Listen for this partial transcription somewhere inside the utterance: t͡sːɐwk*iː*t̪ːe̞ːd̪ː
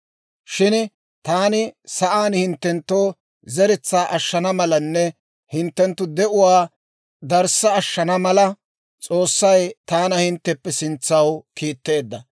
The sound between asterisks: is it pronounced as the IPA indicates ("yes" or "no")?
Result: yes